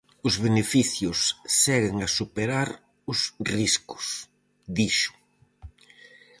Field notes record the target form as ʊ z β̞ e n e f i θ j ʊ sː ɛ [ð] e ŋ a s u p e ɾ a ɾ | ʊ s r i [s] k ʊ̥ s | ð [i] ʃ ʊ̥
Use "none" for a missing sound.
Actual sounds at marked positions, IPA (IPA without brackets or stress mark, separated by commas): ɣ, s, i